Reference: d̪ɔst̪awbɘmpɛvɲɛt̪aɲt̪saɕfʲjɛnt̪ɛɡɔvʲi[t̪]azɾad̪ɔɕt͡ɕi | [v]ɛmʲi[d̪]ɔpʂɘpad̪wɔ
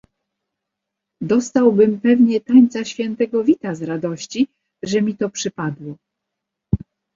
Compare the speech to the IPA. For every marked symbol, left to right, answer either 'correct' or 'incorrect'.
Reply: correct, incorrect: ʐ, incorrect: t̪

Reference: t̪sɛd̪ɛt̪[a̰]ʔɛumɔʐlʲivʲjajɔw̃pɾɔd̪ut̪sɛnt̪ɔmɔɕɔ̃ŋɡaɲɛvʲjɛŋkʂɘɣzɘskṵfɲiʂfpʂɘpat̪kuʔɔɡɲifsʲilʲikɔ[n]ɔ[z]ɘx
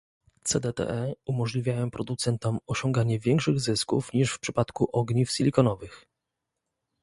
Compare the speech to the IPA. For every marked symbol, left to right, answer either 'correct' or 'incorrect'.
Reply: incorrect: ɛ̰, correct, incorrect: v

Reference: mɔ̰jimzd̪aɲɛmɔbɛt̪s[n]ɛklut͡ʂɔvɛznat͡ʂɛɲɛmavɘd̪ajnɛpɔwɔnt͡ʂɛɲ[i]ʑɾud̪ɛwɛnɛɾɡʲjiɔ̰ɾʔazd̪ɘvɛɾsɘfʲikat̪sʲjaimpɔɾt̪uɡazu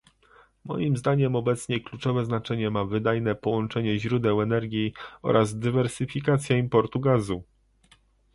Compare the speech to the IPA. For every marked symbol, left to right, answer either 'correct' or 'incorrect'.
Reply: incorrect: ɲ, incorrect: ɛ

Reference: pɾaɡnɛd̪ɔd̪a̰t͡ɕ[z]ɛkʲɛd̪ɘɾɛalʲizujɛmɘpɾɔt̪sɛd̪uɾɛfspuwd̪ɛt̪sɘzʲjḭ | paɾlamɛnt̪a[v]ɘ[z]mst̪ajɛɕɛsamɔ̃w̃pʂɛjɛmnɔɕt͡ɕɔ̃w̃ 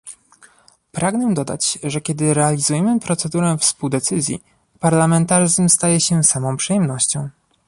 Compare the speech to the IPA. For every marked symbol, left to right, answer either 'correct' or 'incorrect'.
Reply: incorrect: ʐ, incorrect: ʐ, correct

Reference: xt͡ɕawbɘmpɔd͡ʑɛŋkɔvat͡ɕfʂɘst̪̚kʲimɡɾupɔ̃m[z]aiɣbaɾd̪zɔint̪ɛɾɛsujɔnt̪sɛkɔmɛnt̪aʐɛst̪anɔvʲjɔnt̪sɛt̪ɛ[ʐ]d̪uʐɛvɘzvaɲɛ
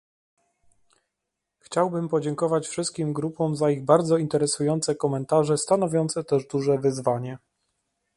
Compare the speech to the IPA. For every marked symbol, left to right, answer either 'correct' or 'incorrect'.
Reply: correct, correct

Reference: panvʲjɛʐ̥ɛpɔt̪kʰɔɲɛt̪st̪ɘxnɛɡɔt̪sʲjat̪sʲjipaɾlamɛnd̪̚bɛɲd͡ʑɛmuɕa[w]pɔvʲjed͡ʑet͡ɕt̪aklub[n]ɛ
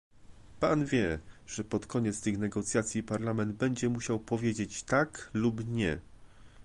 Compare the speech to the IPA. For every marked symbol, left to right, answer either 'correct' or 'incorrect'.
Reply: correct, incorrect: ɲ

